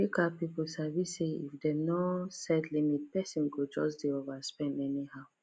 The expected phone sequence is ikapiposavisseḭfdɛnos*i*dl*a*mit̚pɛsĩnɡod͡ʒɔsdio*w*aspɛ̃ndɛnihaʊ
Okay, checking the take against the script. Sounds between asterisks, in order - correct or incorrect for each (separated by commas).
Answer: incorrect, incorrect, incorrect